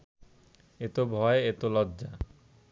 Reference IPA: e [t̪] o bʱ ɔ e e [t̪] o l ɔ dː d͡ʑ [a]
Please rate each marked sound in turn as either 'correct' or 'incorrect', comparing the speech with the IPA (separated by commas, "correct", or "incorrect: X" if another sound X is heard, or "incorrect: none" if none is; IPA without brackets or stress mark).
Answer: correct, correct, correct